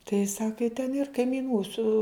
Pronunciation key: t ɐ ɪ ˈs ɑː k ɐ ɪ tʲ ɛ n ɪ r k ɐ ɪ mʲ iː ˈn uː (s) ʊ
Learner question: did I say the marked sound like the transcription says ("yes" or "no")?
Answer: yes